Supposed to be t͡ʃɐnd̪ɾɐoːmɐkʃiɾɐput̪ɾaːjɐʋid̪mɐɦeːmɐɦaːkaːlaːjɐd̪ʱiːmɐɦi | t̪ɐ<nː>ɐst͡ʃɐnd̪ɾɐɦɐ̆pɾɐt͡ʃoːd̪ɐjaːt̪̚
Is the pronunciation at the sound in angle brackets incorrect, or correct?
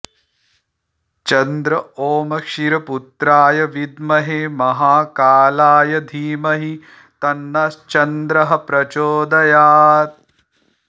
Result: correct